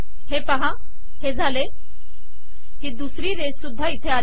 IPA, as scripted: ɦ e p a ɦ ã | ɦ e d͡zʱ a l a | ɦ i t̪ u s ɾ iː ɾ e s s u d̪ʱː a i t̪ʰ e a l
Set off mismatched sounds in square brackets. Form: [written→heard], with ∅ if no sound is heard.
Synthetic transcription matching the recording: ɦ e p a ɦ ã | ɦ e d͡zʱ a l [a→e] | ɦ i [t̪→d̪] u s ɾ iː ɾ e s s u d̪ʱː a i t̪ʰ e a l

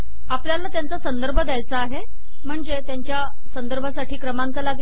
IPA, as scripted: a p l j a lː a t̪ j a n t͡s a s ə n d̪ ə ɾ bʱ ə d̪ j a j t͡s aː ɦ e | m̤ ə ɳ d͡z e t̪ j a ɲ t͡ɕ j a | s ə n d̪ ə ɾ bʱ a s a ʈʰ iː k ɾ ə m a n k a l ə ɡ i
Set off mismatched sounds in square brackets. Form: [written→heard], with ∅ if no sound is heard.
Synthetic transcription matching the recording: a p l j a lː a t̪ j a n t͡s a s ə n d̪ ə ɾ bʱ ə d̪ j a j t͡s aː ɦ e | m̤ ə ɳ d͡z e t̪ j a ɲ t͡ɕ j a | s ə n d̪ ə ɾ bʱ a s a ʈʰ iː k ɾ ə m a [n→ŋ] k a l [ə→a] ɡ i

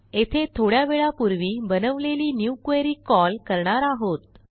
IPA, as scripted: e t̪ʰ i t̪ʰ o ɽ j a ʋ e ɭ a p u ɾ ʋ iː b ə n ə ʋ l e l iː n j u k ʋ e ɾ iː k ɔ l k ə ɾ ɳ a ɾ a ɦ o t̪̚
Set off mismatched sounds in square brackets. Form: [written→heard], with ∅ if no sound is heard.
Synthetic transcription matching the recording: e t̪ʰ [i→e] t̪ʰ o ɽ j a ʋ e ɭ a p u ɾ ʋ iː b ə n ə ʋ l e l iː n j u k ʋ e ɾ iː k ɔ l k ə ɾ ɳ a ɾ a ɦ o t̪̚

